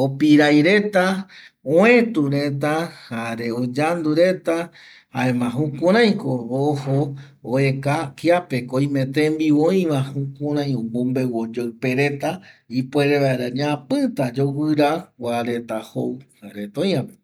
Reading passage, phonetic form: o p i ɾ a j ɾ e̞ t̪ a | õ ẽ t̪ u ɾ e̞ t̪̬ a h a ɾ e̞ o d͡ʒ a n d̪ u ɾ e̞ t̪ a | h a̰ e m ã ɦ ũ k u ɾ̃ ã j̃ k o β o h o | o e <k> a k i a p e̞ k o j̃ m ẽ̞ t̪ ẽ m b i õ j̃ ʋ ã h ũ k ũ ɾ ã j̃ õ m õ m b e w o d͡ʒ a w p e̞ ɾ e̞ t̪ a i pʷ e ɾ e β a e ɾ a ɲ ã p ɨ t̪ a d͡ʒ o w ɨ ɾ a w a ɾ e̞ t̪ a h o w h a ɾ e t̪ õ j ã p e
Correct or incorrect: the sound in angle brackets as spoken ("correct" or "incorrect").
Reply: correct